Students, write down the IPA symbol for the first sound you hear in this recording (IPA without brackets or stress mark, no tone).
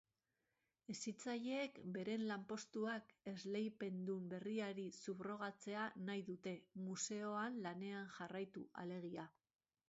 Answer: e̞